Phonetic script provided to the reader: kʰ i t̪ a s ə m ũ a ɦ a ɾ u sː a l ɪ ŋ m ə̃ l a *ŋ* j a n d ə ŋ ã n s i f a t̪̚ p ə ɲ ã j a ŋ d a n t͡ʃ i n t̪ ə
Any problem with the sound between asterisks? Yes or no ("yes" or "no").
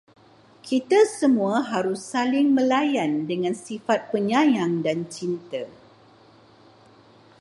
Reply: yes